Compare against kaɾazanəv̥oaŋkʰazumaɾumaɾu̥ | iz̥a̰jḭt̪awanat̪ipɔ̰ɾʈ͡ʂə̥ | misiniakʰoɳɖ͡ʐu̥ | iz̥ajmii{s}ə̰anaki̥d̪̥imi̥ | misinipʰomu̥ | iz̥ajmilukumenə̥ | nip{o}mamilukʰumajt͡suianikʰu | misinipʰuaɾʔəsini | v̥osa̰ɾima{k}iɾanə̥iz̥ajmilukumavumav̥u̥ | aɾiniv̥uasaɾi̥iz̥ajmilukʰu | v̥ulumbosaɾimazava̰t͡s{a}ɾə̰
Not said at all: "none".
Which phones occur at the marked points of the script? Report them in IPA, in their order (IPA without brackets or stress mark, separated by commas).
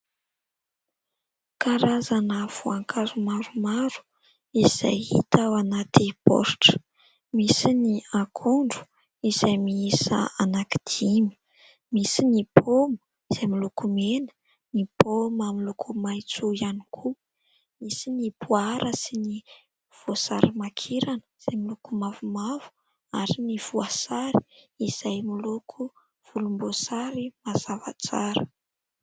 s, o, kʰ, a